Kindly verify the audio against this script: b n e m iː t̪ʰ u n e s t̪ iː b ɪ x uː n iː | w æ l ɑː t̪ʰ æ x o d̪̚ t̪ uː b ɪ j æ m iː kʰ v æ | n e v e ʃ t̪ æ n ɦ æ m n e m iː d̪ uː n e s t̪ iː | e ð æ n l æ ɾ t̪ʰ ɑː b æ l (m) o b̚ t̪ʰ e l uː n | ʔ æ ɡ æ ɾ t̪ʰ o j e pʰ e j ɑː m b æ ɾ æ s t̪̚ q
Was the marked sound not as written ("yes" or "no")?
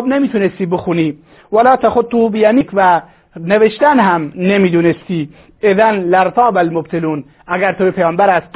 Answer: no